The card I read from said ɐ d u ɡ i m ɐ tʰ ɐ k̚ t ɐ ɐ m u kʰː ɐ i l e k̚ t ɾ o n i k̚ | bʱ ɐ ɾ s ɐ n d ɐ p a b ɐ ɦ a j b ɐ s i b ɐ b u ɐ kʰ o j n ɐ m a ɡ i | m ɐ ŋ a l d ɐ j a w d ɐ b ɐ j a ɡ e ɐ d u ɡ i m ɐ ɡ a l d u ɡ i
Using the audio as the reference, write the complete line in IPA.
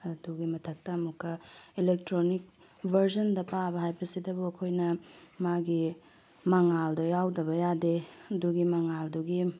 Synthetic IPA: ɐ d u ɡ i m ɐ tʰ ɐ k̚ t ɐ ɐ m u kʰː ɐ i l e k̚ t ɾ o n i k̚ | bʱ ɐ ɾ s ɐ n d ɐ p a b ɐ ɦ a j b ɐ s i d ɐ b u ɐ kʰ o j n ɐ m a ɡ i | m ɐ ŋ a l d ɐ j a w d ɐ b ɐ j a d e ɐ d u ɡ i m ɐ ŋ a l d u ɡ i